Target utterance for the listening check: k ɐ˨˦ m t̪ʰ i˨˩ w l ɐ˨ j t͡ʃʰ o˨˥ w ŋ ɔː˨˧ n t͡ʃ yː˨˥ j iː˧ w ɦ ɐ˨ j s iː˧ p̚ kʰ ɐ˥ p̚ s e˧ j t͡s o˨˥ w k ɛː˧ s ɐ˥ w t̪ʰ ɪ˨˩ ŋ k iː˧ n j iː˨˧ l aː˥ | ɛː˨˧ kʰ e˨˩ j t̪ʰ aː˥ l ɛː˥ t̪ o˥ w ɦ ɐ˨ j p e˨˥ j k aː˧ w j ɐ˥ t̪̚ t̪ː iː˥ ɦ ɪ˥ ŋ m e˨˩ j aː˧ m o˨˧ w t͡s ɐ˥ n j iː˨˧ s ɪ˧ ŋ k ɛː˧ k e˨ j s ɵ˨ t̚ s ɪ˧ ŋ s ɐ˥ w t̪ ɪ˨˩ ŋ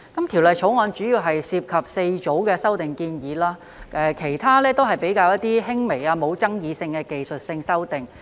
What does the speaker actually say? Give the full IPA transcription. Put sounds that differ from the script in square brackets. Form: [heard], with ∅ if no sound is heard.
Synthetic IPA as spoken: k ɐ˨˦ m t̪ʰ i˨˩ w l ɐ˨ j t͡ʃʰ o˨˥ w ŋ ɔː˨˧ n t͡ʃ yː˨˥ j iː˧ w ɦ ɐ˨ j s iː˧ p̚ kʰ [ɐ˨] p̚ s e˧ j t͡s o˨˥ w k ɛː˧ s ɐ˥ w [t̪] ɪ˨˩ ŋ k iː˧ n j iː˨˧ l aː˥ | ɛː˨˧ kʰ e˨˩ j t̪ʰ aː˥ l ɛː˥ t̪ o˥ w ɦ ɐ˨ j p e˨˥ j k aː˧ w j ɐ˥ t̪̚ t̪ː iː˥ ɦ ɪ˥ ŋ m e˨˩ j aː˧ m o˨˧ w t͡s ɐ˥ [ŋ] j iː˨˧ s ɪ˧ ŋ k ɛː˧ k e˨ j s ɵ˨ t̚ s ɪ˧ ŋ s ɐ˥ w t̪ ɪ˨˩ ŋ